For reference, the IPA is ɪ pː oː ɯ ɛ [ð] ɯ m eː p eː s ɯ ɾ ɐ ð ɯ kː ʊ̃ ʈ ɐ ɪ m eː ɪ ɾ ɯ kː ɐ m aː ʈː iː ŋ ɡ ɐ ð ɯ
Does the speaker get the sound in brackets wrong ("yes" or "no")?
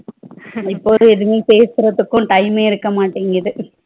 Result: no